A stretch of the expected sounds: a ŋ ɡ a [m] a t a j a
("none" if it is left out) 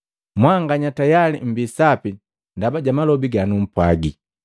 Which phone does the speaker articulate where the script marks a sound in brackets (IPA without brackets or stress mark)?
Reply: ɲ